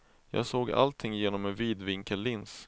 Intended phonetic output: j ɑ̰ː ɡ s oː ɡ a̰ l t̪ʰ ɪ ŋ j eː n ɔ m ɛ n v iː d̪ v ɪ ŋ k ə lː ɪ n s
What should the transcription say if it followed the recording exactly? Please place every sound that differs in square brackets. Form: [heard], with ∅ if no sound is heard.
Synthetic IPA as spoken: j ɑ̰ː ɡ s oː ɡ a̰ l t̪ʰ ɪ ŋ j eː n ɔ m ɛ n v iː d̪ v ɪ ŋ k ə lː ɪ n s